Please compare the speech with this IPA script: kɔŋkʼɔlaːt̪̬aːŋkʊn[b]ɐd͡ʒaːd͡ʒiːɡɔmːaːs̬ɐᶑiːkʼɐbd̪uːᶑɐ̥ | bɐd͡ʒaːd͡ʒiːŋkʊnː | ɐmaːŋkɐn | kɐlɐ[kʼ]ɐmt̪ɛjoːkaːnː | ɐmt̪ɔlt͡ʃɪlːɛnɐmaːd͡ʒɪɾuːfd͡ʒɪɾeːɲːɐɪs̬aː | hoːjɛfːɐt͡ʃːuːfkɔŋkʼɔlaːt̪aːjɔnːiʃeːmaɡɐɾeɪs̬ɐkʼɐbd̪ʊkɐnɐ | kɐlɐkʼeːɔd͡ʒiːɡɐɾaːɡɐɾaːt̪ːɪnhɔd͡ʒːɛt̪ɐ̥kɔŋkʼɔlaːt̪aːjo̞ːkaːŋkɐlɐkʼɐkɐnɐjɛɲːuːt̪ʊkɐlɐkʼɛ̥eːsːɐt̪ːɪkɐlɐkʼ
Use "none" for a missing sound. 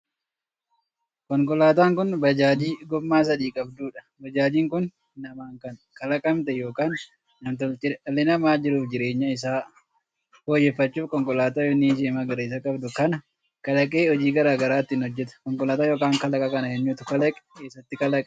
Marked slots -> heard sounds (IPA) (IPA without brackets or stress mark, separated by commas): b, kʼ